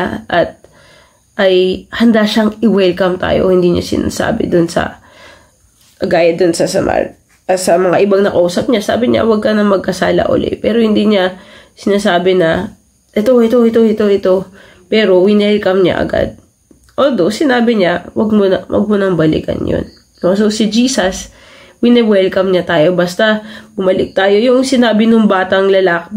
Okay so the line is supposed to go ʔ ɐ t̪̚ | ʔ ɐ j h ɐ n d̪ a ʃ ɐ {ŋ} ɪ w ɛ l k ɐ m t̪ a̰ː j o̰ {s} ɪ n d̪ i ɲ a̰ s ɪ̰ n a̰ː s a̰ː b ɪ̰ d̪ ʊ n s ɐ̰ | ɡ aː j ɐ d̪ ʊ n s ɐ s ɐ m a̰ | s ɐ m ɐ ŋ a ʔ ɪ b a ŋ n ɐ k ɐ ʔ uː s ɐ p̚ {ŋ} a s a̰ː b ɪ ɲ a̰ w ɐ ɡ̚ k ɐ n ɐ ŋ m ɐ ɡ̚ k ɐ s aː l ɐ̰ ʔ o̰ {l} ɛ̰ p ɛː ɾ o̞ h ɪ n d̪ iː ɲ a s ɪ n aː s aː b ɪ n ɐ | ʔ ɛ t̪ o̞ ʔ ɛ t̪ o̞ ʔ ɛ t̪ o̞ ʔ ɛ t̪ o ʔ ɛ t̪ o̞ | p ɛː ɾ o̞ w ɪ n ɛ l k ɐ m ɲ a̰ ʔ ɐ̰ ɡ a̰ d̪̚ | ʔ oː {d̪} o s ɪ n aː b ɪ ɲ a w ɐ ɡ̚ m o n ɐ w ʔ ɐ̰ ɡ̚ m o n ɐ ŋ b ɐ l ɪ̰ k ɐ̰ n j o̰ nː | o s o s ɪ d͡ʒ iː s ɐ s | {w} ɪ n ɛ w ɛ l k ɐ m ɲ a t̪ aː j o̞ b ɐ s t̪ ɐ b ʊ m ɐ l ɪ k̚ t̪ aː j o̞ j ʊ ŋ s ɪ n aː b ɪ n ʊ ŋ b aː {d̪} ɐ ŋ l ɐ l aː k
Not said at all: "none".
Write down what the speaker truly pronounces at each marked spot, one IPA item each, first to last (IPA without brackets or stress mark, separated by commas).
ŋ, h, ɲ, l, d̪, w, t̪